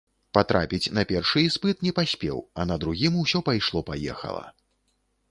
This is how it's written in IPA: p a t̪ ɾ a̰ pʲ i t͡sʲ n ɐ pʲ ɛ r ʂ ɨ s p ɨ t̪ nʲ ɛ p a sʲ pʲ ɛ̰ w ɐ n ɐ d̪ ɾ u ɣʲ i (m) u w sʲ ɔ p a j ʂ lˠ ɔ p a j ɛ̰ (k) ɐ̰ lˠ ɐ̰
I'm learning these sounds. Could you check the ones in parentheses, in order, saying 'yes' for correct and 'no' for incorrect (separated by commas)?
yes, no